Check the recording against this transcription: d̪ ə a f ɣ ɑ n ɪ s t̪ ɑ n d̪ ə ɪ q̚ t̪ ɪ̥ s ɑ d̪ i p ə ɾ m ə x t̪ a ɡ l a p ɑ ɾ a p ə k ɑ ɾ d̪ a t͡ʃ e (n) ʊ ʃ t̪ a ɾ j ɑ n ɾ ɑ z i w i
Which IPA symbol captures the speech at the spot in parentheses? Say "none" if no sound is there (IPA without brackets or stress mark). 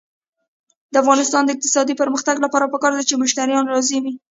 m